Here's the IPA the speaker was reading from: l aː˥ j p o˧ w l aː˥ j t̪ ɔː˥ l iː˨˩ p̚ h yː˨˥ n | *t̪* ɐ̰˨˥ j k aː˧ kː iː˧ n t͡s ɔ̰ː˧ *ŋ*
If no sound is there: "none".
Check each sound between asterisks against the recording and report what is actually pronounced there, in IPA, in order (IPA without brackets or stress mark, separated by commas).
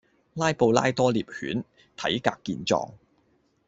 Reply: t̪ʰ, ŋ